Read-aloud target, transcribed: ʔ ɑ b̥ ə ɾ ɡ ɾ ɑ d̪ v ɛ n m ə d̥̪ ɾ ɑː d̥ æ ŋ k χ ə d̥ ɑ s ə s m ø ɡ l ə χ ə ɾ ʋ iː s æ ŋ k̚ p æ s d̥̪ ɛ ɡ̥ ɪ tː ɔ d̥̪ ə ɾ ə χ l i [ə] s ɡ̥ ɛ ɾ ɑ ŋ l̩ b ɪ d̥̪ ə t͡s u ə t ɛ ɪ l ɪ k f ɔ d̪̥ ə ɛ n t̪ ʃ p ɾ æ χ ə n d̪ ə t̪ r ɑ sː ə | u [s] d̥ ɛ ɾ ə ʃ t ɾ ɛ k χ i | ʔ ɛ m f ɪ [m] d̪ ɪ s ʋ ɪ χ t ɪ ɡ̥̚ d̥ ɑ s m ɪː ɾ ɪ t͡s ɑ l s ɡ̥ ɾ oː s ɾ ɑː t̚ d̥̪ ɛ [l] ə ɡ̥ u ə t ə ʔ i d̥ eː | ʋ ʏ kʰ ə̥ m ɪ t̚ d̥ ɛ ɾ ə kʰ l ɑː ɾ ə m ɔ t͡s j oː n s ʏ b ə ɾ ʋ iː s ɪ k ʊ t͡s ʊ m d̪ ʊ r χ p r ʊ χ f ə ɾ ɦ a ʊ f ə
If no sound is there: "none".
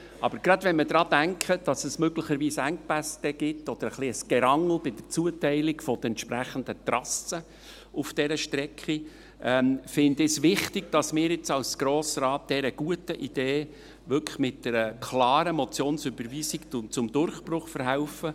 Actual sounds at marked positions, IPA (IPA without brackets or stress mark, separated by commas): ə, f, n, ɾ